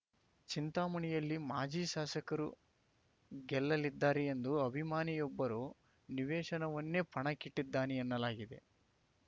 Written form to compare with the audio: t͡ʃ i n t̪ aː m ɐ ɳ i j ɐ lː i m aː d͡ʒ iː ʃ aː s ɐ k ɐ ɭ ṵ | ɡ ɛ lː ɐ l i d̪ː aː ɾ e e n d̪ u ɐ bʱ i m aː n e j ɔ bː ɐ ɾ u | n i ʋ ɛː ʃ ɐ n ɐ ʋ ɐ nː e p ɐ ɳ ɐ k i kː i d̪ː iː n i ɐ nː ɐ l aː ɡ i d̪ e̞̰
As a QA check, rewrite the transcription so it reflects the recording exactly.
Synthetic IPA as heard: t͡ʃ i n t̪ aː m ɐ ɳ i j ɐ lː i m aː d͡ʒ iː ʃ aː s ɐ k ɐ ɾ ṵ | ɡ ɛ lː ɐ l i d̪ː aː ɾ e e n d̪ u ɐ bʱ i m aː n i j ɔ bː ɐ ɾ u | n i ʋ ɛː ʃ ɐ n ɐ ʋ ɐ nː e p ɐ ɳ ɐ k i ʈː i d̪ː aː n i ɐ nː ɐ l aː ɡ i d̪ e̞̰